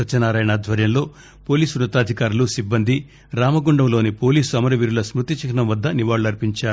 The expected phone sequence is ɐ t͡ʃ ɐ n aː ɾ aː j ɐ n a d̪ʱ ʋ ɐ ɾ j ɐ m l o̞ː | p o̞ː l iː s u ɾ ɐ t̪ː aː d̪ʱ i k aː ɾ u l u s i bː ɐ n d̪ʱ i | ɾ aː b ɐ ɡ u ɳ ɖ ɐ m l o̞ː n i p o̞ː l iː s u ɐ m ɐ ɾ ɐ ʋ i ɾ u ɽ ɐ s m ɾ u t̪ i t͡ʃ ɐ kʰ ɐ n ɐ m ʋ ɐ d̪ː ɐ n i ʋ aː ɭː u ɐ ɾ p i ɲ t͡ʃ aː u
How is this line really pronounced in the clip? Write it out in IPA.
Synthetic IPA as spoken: ɐ t͡ʃ ɐ n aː ɾ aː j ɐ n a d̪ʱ ʋ ɐ ɾ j ɐ m l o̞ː | p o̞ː l iː s u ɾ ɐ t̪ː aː d̪ʱ i k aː ɾ u l u s i bː ɐ n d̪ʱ i | ɾ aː m ɐ ɡ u ɳ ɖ ɐ m l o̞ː n i p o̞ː l iː s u ɐ m ɐ ɾ ɐ ʋ i ɾ u l ɐ s m ɾ u t̪ i t͡ʃ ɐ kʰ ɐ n ɐ m ʋ ɐ d̪ː ɐ n i ʋ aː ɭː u ɐ ɾ p i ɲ t͡ʃ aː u